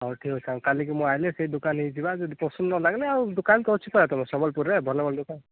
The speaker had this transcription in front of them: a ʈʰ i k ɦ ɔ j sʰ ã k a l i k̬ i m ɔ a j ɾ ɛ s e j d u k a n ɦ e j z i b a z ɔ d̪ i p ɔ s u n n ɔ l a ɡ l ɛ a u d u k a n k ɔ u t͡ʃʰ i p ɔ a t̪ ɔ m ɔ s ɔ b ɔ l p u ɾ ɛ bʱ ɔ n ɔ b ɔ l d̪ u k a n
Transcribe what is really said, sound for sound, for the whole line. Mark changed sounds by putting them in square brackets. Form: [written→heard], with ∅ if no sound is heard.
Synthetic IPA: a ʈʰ i k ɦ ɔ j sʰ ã k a l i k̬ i m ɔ a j [ɾ→l] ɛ s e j d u k a n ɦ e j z i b a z ɔ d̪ i p ɔ s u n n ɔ l a ɡ l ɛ a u d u k a n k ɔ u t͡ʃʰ i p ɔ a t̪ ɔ m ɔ s ɔ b ɔ l p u ɾ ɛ bʱ ɔ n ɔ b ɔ l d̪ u k a n